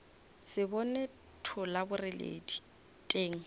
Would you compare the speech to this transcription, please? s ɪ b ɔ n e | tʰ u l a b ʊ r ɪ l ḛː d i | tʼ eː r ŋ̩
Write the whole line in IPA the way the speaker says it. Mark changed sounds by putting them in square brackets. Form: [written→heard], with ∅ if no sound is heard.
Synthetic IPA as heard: s ɪ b ɔ n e | tʰ [u→ʊ] l a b ʊ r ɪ l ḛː d i | tʼ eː [r→∅] ŋ̩